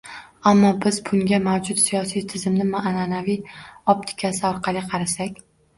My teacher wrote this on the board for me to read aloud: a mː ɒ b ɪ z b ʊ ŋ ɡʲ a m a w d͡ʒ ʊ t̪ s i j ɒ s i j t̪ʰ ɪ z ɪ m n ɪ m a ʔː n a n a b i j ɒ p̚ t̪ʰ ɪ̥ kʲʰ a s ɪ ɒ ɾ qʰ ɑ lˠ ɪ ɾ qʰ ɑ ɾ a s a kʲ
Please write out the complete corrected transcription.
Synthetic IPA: a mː ɒ b ɪ z b ʊ ŋ ɡʲ a m a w d͡ʒ ʊ t̪ s i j ɒ s i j t̪ʰ ɪ z ɪ m n ɪ m a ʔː n a n a v i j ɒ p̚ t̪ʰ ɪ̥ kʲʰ a s ɪ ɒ ɾ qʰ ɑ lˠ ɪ qʰ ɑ ɾ a s a kʲ